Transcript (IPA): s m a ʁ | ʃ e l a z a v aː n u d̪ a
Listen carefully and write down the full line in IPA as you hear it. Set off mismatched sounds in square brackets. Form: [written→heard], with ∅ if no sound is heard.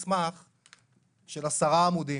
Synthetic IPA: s m a [ʁ→χ] | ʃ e l a [z→s] a [v→ʁ] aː [n→m] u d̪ [a→i]

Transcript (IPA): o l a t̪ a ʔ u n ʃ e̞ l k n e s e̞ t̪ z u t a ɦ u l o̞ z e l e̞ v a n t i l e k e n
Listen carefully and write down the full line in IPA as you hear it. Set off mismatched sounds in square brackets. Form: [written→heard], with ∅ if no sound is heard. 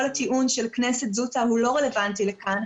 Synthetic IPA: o l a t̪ [a→i] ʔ u n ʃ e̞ l k n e s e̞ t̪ z u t a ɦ u l o̞ [z→ʁ] e l e̞ v a n t i l e k [e→a] n

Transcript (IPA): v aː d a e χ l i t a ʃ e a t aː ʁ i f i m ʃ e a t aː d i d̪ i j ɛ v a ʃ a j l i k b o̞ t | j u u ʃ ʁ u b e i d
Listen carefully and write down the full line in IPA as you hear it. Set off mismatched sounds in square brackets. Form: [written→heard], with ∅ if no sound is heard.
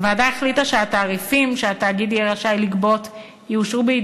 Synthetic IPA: v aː d a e χ l i t a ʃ e a t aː ʁ i f i m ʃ e a t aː [d→ɡ] i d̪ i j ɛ [v→ʁ] a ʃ a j l i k b o̞ t | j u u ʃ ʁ u b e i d

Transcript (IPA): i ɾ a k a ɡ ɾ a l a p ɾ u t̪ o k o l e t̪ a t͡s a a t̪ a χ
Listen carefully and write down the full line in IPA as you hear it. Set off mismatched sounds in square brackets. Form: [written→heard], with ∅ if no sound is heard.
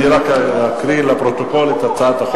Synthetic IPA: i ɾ a k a [ɡ→k] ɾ [a→i] l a p ɾ [u→o] t̪ o k o l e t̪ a t͡s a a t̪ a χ

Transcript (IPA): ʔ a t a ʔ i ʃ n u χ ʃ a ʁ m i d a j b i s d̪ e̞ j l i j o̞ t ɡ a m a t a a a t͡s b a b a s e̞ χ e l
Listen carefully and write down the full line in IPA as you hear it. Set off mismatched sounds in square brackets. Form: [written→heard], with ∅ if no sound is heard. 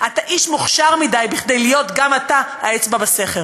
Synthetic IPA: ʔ a t a ʔ i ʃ [n→m] u χ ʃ a ʁ m i d a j b i [s→χ] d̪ e̞ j l i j o̞ t ɡ a m a t a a [a→e] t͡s b a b a s e̞ χ e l

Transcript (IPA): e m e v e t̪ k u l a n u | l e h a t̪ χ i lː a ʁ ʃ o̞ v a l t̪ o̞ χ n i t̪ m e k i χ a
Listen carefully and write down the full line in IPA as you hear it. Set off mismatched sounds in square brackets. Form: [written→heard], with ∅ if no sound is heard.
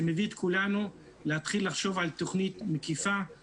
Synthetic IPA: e m e v [e→i] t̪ k u l a n u | l e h a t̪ χ i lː a [ʁ→χ] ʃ o̞ v a l t̪ o̞ χ n i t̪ m e k i [χ→f] a

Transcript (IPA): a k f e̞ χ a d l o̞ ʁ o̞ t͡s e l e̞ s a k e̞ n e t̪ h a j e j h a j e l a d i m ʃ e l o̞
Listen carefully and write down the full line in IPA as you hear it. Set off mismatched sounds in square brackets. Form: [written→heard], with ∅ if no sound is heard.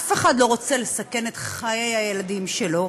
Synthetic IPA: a [k→∅] f e̞ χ a d l o̞ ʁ o̞ t͡s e l e̞ s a k e̞ n e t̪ [h→χ] a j e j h a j e l a d i m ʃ e l o̞

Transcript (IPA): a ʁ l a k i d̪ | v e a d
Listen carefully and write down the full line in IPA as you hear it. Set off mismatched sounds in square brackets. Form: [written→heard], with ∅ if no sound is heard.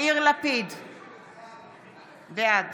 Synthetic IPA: [a→i] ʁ l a [k→p] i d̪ | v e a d

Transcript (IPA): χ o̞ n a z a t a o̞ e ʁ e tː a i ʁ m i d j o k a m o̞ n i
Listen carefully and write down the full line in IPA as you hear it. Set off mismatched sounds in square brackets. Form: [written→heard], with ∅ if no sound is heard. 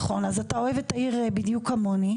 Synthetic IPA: χ o̞ n a z a t a o̞ e [ʁ→v] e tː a i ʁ [m→b] i d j [o→u] k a m o̞ n i

